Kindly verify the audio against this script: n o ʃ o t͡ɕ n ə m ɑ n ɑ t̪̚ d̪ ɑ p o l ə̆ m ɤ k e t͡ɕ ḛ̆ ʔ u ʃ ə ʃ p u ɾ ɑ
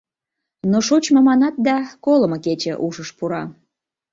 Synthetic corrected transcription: n o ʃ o t͡ɕ m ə m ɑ n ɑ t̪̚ d̪ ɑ k o l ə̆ m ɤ k e t͡ɕ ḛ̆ ʔ u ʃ ə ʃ p u ɾ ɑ